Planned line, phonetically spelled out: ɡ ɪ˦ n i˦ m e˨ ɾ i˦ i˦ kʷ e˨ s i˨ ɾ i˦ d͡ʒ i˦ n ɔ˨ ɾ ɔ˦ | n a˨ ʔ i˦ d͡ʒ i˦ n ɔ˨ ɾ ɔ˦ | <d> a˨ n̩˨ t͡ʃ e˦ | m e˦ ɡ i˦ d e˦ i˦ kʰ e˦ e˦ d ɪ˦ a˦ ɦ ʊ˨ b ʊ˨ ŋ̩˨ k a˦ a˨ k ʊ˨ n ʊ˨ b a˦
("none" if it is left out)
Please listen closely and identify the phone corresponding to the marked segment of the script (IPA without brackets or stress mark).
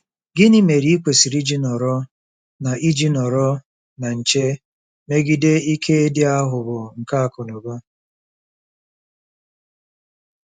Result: n